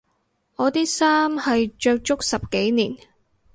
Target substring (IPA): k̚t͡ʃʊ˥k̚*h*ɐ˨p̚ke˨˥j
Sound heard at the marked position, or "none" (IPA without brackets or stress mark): s